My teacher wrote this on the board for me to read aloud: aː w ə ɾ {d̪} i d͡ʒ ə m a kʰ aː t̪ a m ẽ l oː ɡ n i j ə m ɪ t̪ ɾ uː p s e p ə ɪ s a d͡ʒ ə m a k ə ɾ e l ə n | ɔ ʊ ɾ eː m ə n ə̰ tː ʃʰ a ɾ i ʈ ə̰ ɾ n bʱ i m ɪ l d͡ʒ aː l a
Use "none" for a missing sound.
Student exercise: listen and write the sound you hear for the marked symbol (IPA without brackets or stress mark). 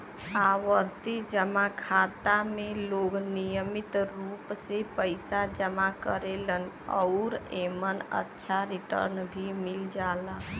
t̪